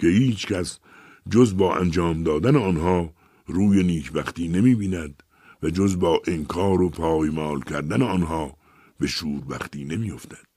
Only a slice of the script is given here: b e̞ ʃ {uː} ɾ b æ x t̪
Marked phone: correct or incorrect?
correct